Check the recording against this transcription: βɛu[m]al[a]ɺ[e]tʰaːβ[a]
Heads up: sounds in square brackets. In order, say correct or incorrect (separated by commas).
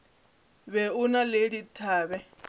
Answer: incorrect, incorrect, incorrect, incorrect